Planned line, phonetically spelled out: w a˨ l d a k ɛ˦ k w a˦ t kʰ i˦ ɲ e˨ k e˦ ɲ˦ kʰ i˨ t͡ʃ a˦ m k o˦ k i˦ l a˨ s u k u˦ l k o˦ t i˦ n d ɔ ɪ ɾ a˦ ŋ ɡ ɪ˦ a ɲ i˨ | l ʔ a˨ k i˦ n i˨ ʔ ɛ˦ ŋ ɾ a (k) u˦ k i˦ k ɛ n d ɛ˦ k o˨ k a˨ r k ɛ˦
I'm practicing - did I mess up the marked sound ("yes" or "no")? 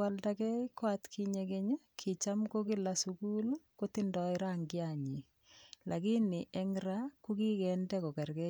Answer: no